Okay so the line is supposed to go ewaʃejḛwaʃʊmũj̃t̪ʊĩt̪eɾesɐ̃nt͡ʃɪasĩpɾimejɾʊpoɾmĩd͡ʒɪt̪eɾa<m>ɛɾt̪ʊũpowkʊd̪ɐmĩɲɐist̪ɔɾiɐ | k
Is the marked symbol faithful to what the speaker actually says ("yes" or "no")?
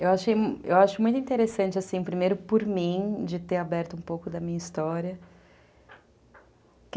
no